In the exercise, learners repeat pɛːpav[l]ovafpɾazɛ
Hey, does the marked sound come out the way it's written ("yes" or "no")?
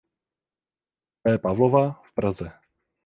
yes